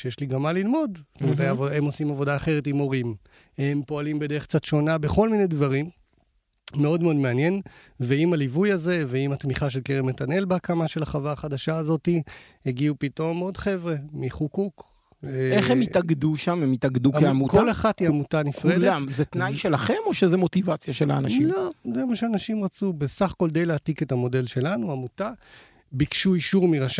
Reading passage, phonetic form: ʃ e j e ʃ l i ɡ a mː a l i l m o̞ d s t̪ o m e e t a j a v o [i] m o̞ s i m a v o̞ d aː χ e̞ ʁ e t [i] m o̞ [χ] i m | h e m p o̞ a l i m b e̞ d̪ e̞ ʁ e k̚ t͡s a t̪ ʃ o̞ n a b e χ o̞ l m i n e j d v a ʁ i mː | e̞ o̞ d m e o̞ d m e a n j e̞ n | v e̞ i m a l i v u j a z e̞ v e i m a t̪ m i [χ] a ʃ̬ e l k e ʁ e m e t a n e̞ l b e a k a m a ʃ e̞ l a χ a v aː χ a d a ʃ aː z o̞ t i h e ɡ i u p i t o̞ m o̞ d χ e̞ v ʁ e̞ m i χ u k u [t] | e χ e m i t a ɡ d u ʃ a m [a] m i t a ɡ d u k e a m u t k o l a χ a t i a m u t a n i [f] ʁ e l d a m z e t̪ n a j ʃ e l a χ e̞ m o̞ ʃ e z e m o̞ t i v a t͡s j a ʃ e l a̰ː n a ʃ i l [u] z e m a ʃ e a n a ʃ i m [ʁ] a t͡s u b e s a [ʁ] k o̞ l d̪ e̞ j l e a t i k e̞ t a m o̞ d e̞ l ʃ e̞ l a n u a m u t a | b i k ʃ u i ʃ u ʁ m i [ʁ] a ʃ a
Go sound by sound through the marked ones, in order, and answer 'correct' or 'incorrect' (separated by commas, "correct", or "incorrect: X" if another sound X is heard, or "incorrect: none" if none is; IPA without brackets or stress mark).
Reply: incorrect: e, correct, incorrect: ʁ, correct, incorrect: k, incorrect: e, correct, incorrect: o, correct, incorrect: χ, correct